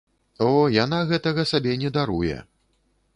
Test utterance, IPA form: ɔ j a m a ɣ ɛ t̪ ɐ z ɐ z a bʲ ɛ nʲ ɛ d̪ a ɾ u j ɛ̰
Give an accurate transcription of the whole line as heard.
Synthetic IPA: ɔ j a n a ɣ ɛ t̪ ɐ ɣ ɐ s a bʲ ɛ nʲ ɛ d̪ a ɾ u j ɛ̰